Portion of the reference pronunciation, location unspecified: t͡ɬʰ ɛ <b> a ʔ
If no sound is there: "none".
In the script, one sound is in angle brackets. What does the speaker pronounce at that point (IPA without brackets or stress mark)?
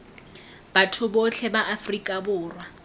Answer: b